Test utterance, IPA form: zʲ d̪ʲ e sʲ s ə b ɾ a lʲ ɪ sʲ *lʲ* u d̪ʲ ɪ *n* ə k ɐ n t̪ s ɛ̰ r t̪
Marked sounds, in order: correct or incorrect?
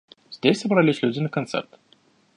correct, correct

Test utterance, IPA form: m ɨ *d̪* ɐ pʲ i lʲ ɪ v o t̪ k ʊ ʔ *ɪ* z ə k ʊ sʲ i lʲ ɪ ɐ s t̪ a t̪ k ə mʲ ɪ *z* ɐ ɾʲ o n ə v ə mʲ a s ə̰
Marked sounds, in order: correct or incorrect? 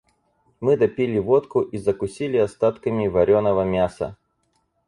correct, incorrect: i, incorrect: v

